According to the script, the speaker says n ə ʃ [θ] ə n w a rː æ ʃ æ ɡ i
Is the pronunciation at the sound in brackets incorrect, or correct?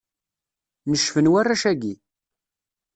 incorrect